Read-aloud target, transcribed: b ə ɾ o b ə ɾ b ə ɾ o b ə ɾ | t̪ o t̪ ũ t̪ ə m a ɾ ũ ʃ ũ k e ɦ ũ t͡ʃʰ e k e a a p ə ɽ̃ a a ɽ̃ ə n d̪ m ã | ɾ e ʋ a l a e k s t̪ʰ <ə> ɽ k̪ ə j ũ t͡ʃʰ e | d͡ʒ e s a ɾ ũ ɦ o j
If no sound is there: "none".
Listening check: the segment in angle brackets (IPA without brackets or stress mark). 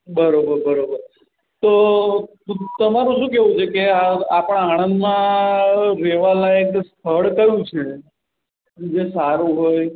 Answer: ə